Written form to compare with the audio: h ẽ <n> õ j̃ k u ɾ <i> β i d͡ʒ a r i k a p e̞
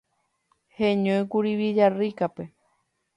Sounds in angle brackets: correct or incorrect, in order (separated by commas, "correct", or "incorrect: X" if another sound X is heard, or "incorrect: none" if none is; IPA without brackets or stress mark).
incorrect: ɲ, correct